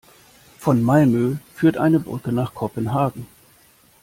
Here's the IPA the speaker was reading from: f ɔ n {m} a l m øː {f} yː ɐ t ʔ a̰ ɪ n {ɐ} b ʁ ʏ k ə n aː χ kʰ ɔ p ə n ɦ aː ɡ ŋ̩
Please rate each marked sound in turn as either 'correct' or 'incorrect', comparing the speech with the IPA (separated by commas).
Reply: correct, correct, incorrect